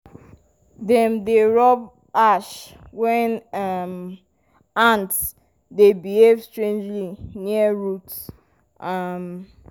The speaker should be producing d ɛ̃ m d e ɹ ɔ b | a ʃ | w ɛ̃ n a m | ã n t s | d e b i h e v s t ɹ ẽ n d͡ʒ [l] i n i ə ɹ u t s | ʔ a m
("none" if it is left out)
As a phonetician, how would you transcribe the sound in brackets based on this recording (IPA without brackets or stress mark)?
l